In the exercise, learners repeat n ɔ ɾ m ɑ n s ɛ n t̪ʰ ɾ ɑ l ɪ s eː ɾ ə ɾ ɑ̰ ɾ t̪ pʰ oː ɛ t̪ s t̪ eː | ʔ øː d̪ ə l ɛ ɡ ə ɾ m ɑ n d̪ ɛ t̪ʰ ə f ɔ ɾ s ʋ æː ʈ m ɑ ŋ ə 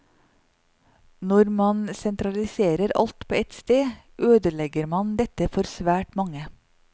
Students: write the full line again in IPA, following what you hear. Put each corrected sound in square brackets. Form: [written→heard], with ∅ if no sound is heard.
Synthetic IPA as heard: n ɔ ɾ m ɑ n s ɛ n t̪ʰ ɾ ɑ l ɪ s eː ɾ ə ɾ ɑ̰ [ɾ→l] t̪ pʰ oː ɛ t̪ s t̪ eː | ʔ øː d̪ ə l ɛ ɡ ə ɾ m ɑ n d̪ ɛ [t̪ʰ→t̪] ə f ɔ ɾ s ʋ æː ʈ m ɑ ŋ ə